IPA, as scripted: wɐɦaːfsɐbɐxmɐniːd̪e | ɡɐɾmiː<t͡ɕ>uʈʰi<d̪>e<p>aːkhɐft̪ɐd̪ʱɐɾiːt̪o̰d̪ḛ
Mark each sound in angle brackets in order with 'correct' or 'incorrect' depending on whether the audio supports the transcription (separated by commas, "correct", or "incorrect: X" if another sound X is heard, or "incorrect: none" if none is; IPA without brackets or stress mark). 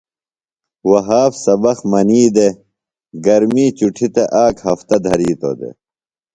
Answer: correct, incorrect: t̪, incorrect: ʔ